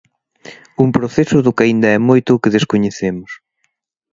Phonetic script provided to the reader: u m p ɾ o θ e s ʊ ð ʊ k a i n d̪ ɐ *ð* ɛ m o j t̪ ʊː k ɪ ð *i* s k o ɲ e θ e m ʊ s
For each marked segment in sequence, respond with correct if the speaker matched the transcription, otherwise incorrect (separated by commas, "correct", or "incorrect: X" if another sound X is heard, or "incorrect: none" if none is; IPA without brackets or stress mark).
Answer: incorrect: none, incorrect: e